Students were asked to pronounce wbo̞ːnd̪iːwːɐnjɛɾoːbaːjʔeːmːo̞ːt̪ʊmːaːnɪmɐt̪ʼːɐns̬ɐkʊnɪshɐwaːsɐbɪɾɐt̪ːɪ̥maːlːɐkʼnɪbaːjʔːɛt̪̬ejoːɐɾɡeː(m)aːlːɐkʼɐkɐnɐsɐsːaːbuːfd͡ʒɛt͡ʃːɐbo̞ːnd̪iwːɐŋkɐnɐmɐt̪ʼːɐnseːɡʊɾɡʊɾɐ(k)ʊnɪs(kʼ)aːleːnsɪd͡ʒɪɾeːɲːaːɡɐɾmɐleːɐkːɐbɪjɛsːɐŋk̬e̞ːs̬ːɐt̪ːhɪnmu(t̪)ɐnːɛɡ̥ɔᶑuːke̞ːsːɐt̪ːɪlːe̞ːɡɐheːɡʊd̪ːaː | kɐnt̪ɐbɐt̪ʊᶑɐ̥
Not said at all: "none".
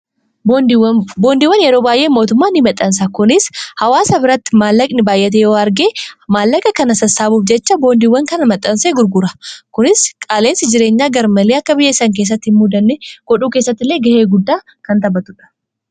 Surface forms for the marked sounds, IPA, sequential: m, k, kʼ, d̪

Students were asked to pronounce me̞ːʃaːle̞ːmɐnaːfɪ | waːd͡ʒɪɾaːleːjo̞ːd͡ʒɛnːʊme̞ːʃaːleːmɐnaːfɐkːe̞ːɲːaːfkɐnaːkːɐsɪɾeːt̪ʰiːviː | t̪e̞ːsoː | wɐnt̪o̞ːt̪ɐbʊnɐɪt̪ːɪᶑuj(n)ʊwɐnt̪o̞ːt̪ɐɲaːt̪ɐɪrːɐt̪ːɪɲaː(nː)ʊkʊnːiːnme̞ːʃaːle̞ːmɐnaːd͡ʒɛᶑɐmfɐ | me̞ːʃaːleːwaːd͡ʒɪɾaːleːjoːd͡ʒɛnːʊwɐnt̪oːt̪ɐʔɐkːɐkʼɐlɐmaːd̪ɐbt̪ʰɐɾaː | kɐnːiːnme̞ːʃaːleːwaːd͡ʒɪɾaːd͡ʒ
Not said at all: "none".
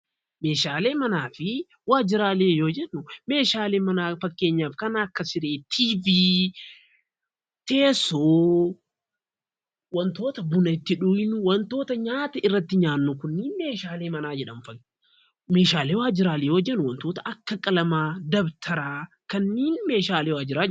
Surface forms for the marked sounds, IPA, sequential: n, nː

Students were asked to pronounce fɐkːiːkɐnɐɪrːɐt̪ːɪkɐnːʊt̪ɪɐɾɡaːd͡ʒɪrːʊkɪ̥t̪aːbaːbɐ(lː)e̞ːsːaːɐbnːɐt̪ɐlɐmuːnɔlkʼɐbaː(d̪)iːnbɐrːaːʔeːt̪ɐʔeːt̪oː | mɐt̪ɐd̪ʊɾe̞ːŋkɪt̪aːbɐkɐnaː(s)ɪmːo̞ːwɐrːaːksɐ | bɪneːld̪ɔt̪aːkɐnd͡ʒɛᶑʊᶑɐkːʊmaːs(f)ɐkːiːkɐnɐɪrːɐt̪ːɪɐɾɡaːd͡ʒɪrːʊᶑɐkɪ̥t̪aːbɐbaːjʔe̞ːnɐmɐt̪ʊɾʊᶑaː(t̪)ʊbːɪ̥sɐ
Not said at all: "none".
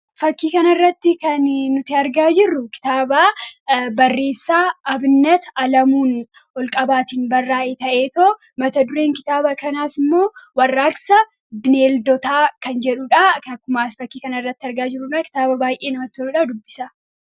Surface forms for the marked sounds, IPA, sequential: rː, t̪, s, f, d̪

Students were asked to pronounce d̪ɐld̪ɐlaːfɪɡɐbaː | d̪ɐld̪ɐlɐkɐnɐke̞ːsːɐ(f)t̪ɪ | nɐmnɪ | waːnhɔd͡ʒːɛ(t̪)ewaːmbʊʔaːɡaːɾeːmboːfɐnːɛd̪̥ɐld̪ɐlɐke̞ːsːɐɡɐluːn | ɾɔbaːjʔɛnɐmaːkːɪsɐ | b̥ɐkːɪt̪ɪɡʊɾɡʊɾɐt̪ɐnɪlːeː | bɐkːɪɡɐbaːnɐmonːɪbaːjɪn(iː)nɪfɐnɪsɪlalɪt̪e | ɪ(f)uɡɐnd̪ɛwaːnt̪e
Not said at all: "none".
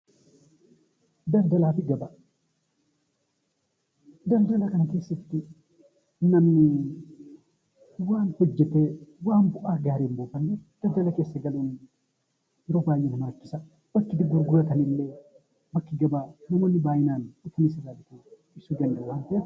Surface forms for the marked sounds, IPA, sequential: f, t̪, aː, s

